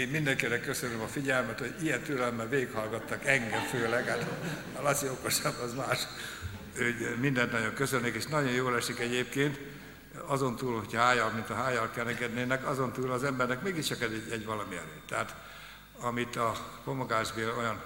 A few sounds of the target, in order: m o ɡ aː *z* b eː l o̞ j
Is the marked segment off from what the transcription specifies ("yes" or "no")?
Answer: yes